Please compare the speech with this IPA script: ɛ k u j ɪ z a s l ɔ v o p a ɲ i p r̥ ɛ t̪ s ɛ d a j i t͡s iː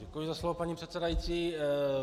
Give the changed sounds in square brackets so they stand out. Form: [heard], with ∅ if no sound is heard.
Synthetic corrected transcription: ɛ k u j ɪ z a s l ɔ v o p a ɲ i p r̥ ɛ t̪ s ɛ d a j i t͡s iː